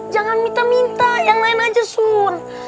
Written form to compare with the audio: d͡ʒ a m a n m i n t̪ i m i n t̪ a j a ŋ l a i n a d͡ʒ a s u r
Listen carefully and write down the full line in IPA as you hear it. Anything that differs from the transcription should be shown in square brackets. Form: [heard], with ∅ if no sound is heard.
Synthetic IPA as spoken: d͡ʒ a [ŋ] a n m i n t̪ [a] m i n t̪ a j a ŋ l a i n a d͡ʒ a s u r